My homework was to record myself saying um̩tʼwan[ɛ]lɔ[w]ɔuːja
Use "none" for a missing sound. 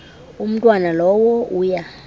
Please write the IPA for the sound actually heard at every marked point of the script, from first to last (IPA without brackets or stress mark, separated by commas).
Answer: a, w